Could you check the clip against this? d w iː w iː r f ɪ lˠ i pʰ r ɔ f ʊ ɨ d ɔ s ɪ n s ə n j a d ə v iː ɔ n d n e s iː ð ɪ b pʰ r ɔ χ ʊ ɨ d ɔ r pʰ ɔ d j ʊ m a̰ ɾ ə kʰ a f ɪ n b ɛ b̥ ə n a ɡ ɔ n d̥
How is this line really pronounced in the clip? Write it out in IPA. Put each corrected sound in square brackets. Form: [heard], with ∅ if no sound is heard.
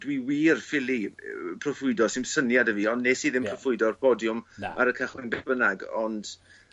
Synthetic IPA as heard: d w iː w iː r f ɪ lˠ i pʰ r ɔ f ʊ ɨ d ɔ s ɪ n s ə n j a d ə v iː ɔ n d n e s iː ð ɪ [m] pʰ r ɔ [f] ʊ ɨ d ɔ r pʰ ɔ d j ʊ m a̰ ɾ ə kʰ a [χ] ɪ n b ɛ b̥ ə n a ɡ ɔ n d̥

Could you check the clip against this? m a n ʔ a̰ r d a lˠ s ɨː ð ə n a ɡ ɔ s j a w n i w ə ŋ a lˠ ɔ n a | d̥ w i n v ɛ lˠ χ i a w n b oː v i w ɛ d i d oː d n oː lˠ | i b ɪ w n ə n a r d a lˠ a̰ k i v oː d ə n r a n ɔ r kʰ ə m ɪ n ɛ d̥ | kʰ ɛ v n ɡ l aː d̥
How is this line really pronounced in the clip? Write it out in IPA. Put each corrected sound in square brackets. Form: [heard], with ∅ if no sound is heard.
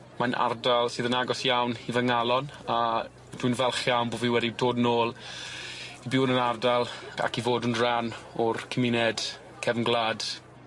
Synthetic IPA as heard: m a n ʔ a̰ r d a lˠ s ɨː ð ə n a ɡ ɔ s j a w n i [v] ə ŋ a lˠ ɔ n a | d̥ w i n v ɛ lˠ χ [j] a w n b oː v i w ɛ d i d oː d n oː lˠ | i b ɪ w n ə n a r d a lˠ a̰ k i v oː d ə n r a n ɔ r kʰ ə m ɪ n ɛ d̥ | kʰ ɛ v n ɡ l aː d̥

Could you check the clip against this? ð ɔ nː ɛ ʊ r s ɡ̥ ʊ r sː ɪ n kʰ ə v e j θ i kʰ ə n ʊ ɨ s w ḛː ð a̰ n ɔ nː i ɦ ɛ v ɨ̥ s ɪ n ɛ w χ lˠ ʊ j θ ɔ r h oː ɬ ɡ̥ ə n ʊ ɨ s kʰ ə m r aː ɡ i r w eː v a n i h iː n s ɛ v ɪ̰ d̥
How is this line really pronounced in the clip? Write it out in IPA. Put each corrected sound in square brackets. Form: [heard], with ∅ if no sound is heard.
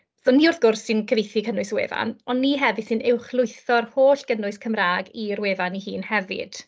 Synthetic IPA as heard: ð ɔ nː [i] ʊ r [θ] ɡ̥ ʊ r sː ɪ n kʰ ə v e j θ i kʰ ə n ʊ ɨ s w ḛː [v] a̰ n ɔ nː i ɦ ɛ v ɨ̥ s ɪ n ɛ w χ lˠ ʊ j θ ɔ r h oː ɬ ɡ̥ ə n ʊ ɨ s kʰ ə m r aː ɡ i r w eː v a n i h iː n [h] ɛ v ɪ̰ d̥

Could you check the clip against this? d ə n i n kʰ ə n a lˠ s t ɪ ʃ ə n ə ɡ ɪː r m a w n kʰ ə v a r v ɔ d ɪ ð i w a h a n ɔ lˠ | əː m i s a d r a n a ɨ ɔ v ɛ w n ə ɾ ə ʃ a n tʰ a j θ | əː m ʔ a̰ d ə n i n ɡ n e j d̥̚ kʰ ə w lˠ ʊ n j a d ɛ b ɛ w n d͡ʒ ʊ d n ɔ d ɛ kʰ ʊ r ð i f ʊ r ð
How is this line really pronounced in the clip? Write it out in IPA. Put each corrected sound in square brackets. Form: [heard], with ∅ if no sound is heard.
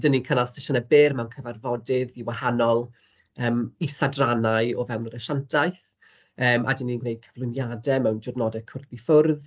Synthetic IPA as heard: d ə n i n kʰ ə n a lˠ s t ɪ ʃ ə n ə [b] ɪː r m a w n kʰ ə v a r v ɔ d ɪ ð i w a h a n ɔ lˠ | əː m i s a d r a n a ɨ ɔ v ɛ w n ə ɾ ə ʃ a n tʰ a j θ | əː m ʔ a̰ d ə n i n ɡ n e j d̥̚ kʰ ə [v] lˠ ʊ n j a d ɛ [m] ɛ w n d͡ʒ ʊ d n ɔ d ɛ kʰ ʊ r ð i f ʊ r ð

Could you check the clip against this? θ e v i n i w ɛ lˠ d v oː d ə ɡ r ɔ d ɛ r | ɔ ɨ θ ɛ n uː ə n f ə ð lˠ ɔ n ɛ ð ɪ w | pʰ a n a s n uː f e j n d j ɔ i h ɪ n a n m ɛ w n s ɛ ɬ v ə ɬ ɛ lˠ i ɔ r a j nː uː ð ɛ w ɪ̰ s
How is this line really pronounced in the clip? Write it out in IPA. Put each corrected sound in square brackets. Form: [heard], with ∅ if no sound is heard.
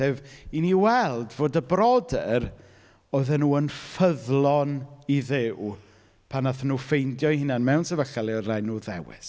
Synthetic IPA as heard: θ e v i n i w ɛ lˠ d v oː d ə [b] r ɔ d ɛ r | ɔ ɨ [ð] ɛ n uː ə n f ə ð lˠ ɔ n [i] ð ɪ w | pʰ a n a [θ] n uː f e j n d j ɔ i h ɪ n a n m ɛ w n s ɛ [∅] v ə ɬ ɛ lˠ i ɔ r a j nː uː ð ɛ w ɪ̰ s

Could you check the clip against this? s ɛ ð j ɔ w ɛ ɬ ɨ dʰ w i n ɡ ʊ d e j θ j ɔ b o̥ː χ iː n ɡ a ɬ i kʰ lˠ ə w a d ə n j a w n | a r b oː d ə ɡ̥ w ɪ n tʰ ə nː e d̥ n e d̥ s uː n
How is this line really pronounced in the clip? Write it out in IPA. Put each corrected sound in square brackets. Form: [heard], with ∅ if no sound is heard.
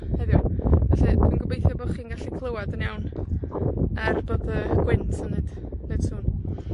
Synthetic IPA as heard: [h] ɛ ð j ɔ [v] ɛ ɬ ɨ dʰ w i n ɡ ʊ [b] e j θ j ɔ b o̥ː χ iː n ɡ a ɬ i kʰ lˠ ə w a d ə n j a w n | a r b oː d ə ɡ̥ w ɪ n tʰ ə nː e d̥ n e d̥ s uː n

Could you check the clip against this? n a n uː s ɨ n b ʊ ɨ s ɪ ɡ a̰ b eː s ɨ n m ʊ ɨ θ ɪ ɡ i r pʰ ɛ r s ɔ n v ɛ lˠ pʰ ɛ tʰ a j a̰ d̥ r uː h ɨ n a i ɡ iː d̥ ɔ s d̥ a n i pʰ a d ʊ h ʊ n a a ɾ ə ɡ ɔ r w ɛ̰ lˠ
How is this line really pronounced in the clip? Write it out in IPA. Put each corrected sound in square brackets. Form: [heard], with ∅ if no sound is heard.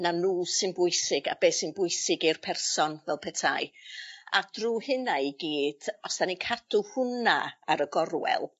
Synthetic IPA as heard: n a n uː s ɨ n b ʊ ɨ s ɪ ɡ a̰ b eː s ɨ n [b] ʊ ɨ [s] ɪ ɡ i r pʰ ɛ r s ɔ n v ɛ lˠ pʰ ɛ tʰ a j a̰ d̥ r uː h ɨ n a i ɡ iː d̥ ɔ s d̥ a n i [kʰ] a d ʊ h ʊ n a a ɾ ə ɡ ɔ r w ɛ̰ lˠ

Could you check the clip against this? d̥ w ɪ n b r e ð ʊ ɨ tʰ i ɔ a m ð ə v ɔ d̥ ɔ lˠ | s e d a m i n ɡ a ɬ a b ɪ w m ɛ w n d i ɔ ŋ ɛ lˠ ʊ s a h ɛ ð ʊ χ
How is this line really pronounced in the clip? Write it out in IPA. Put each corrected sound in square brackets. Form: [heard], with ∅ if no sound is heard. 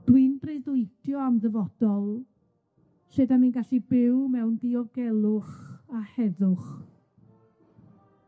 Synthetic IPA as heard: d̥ w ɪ n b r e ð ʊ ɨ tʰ [j] ɔ a m ð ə v ɔ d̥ ɔ lˠ | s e d a m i n ɡ a ɬ [i] b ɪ w m ɛ w n d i ɔ [ɡ] ɛ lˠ ʊ [χ] a h ɛ ð ʊ χ

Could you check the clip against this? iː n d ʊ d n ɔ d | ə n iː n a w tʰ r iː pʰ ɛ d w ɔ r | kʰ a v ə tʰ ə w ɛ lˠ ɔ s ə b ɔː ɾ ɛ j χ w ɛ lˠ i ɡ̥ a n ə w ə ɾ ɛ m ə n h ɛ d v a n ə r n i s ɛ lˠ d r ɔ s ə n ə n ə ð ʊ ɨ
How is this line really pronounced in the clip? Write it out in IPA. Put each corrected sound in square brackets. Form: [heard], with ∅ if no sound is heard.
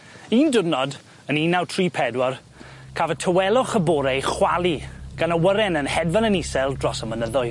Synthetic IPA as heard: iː n d ʊ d n ɔ d | ə n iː n a w tʰ r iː pʰ ɛ d w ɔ r | kʰ a v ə tʰ ə w ɛ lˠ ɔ [χ] ə b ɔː ɾ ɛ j χ w [a] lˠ i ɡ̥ a n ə w ə ɾ ɛ [n] ə n h ɛ d v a n ə [∅] n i s ɛ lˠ d r ɔ s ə [m] ə n ə ð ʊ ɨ

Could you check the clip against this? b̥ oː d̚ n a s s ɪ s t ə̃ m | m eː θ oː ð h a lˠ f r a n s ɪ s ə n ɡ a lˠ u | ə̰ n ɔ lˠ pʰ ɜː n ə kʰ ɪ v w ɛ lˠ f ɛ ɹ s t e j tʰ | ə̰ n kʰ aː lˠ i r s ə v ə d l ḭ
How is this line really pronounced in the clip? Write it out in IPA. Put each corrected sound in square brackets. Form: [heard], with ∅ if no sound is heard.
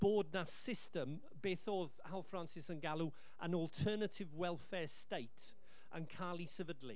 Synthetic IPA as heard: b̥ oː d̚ n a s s ɪ s t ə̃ m | [b] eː θ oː ð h a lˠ f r a n s ɪ s ə n ɡ a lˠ u | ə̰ n ɔ lˠ [tʰ] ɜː n ə [tʰ] ɪ v w ɛ lˠ f ɛ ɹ s t e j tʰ | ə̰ n kʰ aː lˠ i [∅] s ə v ə d l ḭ

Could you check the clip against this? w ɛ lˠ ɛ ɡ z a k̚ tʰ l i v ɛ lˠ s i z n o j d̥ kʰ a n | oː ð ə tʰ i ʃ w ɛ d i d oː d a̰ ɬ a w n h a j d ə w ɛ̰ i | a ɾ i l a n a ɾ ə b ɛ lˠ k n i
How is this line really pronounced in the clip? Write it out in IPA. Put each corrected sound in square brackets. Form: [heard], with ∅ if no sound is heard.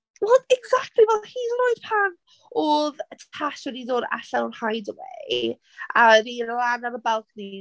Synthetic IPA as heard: w ɛ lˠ ɛ ɡ z a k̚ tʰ l i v ɛ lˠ [h] i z n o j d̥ [pʰ] a n | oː ð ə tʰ [a] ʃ w ɛ d i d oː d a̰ ɬ a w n h a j d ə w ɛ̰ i | a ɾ i l a n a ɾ ə b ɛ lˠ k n i

